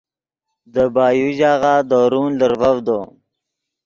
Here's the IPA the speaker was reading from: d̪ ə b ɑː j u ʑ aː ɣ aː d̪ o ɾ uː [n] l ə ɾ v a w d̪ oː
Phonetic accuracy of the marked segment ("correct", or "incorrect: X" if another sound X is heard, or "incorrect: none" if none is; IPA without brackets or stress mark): correct